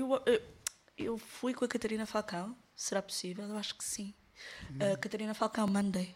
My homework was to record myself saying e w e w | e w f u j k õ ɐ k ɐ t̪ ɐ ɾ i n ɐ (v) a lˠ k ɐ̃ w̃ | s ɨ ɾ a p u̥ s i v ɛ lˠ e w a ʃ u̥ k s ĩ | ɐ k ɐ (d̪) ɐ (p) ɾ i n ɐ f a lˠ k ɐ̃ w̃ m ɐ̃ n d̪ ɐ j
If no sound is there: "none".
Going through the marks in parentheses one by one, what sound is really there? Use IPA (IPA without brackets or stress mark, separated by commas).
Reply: f, t̪, none